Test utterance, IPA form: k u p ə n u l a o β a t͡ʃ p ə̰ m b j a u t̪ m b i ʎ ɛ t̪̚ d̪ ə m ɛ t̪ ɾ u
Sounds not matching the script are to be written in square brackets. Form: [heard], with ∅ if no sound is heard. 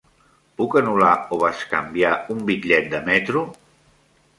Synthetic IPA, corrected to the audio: [p] u [k] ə n u l a o β a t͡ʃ [k] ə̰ m b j a u [∅] m b i ʎ ɛ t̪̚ d̪ ə m ɛ t̪ ɾ u